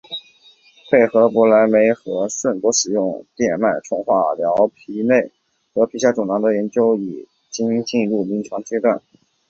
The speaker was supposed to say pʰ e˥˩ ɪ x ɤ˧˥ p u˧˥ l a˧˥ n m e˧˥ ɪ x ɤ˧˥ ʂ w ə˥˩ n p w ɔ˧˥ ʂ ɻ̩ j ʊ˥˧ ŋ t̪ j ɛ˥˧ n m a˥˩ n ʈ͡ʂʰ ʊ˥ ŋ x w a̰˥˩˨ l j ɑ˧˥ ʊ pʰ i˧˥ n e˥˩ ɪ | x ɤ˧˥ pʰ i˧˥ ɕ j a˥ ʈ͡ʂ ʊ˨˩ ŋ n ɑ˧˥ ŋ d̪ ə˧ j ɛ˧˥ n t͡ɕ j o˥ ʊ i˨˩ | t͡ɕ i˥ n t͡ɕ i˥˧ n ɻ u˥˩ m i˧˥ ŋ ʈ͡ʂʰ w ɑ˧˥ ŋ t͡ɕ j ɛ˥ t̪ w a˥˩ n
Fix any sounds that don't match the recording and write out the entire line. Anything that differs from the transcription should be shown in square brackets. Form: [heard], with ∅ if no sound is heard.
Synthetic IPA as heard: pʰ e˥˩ ɪ x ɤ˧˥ p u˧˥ l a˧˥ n m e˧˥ ɪ x ɤ˧˥ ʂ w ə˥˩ n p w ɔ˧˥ ʂ ɻ̩ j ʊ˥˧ ŋ t̪ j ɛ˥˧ n m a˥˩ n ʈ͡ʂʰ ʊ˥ ŋ x w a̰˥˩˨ l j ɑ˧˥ ʊ pʰ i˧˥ n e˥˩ ɪ | x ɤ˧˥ pʰ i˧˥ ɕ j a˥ ʈ͡ʂ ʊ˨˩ ŋ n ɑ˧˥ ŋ d̪ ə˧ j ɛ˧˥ n t͡ɕ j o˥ ʊ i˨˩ | t͡ɕ i˥ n t͡ɕ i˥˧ n ɻ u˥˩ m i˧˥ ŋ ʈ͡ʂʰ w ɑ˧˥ ŋ t͡ɕ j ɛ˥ t̪ w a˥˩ n